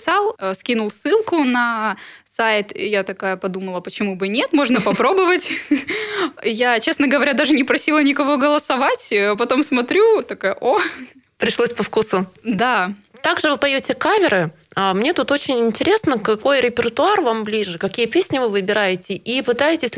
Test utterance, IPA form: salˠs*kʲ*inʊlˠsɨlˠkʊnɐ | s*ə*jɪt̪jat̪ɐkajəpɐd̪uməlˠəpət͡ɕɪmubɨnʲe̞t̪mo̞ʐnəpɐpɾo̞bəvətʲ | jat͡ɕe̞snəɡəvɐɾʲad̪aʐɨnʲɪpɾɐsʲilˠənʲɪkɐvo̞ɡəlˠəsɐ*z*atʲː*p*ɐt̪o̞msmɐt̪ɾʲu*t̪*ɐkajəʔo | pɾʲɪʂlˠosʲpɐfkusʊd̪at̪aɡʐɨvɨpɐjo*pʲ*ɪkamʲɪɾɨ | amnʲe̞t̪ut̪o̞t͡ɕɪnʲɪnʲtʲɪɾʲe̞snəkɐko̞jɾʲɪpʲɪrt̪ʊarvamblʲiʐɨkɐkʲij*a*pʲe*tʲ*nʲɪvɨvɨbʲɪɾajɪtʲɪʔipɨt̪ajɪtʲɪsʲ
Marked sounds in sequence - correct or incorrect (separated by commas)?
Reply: correct, incorrect, incorrect, correct, correct, incorrect, incorrect, incorrect